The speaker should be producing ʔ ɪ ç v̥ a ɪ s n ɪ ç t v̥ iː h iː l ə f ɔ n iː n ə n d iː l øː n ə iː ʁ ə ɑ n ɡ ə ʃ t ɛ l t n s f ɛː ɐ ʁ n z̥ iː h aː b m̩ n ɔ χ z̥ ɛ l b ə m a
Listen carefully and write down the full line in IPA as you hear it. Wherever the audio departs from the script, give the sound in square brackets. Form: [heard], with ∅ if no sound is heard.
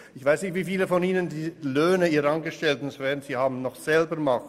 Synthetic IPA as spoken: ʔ ɪ ç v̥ a ɪ s n ɪ ç t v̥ iː [f] iː l ə f ɔ n iː n ə n d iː l øː n ə iː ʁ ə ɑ n ɡ ə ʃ t ɛ l t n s [v] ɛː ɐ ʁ n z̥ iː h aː b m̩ n ɔ χ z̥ ɛ l b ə m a

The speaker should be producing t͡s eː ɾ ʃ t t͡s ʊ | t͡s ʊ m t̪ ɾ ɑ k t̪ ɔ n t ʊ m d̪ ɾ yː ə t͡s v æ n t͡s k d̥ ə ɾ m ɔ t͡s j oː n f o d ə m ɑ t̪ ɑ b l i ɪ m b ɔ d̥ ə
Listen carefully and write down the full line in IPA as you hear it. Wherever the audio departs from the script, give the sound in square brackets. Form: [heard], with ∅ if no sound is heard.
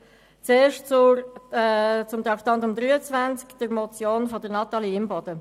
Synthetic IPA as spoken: t͡s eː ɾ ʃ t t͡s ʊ | t͡s ʊ m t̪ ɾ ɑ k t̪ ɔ n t ʊ m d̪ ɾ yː ə t͡s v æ n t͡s k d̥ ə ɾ m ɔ t͡s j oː n f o d ə [n] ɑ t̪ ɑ [∅] l i ɪ m b ɔ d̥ ə

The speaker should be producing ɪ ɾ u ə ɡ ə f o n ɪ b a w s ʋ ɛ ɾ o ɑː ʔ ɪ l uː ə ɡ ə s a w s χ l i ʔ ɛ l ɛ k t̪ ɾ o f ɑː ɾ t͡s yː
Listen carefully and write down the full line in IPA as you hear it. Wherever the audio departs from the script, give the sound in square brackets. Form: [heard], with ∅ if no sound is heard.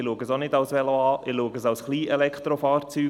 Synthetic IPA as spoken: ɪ [l] u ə ɡ ə [s] o n ɪ [d] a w s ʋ ɛ [l] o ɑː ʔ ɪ l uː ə ɡ ə s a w s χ l [iː] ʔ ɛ l ɛ k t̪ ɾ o f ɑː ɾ t͡s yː

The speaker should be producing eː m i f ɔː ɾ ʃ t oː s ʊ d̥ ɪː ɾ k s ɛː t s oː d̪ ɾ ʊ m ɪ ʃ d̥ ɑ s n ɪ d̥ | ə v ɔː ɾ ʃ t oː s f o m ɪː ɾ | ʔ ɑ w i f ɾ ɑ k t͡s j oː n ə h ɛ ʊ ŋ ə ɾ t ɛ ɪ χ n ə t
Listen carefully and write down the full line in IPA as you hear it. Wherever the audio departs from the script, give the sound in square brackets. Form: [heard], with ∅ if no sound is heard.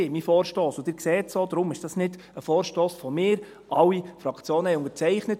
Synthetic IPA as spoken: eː m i f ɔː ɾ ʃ t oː s ʊ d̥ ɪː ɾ k s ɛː t s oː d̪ ɾ ʊ m ɪ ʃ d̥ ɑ s n ɪ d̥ | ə [f] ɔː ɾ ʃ t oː s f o m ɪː ɾ | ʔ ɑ w i f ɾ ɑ k t͡s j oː n ə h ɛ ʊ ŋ ə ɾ [t͡s] ɛ ɪ χ n ə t

